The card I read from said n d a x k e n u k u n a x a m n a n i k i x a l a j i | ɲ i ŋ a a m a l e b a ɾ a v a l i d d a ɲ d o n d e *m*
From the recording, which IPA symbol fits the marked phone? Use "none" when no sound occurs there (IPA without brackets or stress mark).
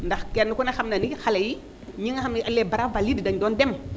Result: m